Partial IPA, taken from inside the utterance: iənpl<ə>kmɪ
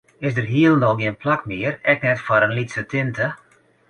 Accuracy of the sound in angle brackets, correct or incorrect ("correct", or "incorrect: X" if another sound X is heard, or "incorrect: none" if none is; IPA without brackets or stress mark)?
incorrect: a